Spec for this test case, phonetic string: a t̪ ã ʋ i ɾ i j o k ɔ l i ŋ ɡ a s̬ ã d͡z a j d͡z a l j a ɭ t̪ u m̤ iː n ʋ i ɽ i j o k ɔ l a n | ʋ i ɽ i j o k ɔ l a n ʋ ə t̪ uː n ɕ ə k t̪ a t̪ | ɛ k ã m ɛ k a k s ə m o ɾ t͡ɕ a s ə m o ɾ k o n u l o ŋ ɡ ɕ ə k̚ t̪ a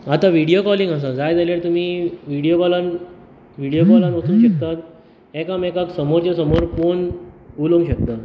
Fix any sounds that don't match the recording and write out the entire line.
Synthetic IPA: a t̪ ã ʋ i ɽ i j o k ɔ l i ŋ ɡ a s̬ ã d͡z a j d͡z a l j a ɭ t̪ u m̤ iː ʋ i ɽ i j o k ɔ l a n | ʋ i ɽ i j o k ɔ l a n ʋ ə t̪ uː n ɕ ə k t̪ a t̪ | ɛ k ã m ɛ k a k s ə m o ɾ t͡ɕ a s ə m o ɾ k o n u l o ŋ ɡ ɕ ə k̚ t̪ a

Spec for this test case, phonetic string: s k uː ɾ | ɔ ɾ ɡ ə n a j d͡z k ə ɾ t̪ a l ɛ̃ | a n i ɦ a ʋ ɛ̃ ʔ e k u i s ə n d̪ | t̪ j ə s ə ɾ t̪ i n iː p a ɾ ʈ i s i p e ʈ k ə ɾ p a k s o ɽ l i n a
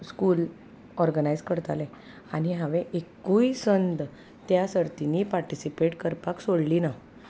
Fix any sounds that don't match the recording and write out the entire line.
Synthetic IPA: s k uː l | ɔ ɾ ɡ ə n a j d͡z k ə ɾ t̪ a l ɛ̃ | a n i ɦ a ʋ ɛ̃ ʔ e k u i s ə n d̪ | t̪ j a s ə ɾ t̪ i n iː p a ɾ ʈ i s i p e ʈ k ə ɾ p a k s o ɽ l i n a

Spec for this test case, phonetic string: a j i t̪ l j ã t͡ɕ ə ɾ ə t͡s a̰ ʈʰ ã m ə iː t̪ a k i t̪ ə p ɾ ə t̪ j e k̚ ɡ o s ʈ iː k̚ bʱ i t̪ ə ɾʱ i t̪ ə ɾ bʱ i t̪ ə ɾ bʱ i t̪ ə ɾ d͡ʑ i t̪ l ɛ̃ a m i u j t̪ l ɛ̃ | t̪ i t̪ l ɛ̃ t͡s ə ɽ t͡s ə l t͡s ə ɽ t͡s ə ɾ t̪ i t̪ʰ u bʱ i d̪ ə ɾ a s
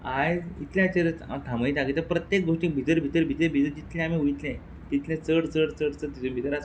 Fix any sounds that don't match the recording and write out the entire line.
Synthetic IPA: a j i t̪ l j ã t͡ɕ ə ɾ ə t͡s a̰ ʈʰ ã m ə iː t̪ a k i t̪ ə p ɾ ə t̪ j e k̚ ɡ o ʂ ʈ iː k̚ bʱ i t̪ ə ɾʱ i t̪ ə ɾ bʱ i t̪ ə ɾ bʱ i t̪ ə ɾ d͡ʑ i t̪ l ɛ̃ a m i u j t̪ l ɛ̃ | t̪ i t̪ l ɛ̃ t͡s ə ɽ t͡s ə ɽ t͡s ə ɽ t͡s ə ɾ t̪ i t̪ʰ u bʱ i t̪ ə ɾ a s

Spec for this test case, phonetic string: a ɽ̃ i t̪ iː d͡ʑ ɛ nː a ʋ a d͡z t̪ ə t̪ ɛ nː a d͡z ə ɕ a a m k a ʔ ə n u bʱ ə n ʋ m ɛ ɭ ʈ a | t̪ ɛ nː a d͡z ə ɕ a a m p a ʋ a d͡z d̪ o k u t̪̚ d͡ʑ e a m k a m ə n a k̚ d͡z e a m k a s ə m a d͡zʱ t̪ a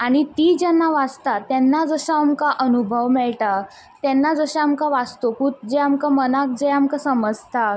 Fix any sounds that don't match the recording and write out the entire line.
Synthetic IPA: a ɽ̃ i t̪ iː d͡ʑ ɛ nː a ʋ a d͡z t̪ a t̪ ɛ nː a d͡z ə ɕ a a m k a ʔ ə n u bʱ ə ʋ m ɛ ɭ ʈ a | t̪ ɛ nː a d͡z ə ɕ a a m k a ʋ a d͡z t̪ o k u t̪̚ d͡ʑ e a m k a m ə n a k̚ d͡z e a m k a s ə m ə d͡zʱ t̪ a

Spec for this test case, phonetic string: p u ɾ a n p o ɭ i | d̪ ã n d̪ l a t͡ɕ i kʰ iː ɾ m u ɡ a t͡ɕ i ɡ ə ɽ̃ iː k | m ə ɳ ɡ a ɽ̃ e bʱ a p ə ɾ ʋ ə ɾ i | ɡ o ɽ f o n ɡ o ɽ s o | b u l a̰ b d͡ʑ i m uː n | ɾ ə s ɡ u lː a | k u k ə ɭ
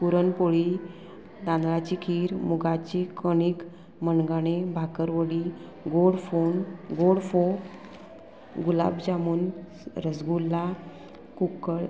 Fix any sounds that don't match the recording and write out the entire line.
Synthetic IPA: p u ɾ ə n p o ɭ i | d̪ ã n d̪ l a t͡ɕ i kʰ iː ɾ m u ɡ a t͡ɕ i k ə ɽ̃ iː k | m ə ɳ ɡ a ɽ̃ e bʱ a k ə ɾ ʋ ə ɽ i | ɡ o ɽ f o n ɡ o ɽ f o | ɡ u l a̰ b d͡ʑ a m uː n | ɾ ə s ɡ u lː a | k u k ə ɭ

